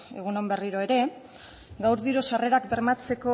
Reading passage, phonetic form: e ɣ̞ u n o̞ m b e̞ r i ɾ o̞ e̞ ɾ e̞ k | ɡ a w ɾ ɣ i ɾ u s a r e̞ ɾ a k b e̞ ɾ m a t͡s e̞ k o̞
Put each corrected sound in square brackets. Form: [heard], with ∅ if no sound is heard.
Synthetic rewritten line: e ɣ̞ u n o̞ m b e̞ r i ɾ o̞ e̞ ɾ e̞ [∅] | ɡ a w ɾ [ð] i ɾ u s a r e̞ ɾ a k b e̞ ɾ m a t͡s e̞ k o̞